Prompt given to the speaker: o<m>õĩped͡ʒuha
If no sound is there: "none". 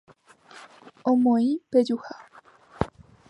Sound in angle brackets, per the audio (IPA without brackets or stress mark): m